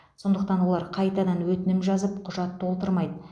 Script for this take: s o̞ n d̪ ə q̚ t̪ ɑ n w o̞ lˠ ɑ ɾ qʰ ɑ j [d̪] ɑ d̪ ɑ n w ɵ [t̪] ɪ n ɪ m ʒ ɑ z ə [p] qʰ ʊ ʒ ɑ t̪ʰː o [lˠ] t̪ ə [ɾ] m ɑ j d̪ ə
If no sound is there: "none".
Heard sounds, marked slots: t̪, t̪, p, lˠ, ɾ

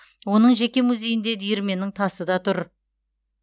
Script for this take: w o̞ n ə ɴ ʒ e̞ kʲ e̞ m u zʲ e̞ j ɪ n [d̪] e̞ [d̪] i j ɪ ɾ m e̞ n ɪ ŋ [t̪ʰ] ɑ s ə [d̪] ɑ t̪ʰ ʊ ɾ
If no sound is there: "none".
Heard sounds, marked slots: d̪, d̪, t̪ʰ, d̪

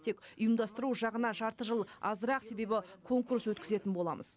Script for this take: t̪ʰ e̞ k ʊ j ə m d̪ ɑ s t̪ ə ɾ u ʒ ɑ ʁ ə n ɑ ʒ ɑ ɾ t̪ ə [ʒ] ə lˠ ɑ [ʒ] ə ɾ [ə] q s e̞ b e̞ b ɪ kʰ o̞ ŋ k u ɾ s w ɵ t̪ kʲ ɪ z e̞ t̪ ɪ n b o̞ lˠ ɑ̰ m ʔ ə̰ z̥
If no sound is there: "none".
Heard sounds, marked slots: ʒ, z, ɑ

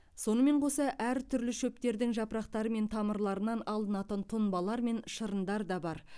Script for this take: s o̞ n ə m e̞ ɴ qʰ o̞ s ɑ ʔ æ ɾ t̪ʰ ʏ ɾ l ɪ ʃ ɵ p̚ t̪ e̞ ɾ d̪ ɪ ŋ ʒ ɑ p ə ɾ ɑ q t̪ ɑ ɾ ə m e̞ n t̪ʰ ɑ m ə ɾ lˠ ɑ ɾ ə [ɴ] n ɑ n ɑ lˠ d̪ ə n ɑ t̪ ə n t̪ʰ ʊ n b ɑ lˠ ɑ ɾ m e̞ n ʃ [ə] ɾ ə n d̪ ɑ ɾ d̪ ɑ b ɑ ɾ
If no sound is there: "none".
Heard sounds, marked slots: none, ə

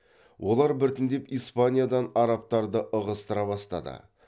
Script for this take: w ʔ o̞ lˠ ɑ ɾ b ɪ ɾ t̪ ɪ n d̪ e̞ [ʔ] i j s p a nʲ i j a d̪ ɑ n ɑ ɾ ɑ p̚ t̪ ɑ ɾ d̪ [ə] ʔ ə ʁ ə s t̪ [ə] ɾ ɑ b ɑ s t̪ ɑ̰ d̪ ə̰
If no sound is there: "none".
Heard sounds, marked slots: p, ə, ə

